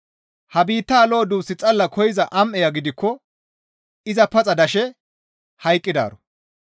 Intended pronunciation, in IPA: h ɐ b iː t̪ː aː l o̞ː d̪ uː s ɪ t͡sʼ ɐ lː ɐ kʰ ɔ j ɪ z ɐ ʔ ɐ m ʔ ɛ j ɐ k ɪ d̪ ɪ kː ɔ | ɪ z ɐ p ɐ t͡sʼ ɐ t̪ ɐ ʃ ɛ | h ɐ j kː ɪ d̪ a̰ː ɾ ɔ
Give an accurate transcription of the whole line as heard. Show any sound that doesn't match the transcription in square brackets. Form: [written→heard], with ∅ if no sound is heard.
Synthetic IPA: h ɐ b iː t̪ː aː l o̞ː d̪ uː s ɪ t͡sʼ ɐ lː ɐ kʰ ɔ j ɪ z ɐ ʔ ɐ m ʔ ɛ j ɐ [k→ɡ] ɪ d̪ ɪ kː ɔ | ɪ z ɐ p ɐ t͡sʼ ɐ [t̪→d̪] ɐ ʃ ɛ | h ɐ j [kː→kʼː] ɪ d̪ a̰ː ɾ ɔ